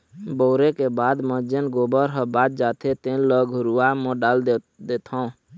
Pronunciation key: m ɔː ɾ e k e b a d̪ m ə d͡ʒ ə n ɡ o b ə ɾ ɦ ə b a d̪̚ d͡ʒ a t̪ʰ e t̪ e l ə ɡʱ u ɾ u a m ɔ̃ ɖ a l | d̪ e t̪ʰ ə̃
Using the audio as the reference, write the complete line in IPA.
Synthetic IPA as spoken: b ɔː ɾ e k e b a d̪ m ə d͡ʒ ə n ɡ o b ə ɾ ɦ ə b a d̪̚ d͡ʒ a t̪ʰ e t̪ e l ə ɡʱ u ɾ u a m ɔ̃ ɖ a l | d̪ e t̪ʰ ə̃